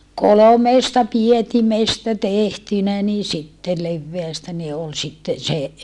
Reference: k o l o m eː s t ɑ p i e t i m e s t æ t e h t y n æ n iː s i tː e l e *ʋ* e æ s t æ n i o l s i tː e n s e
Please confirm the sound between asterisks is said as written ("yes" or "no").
no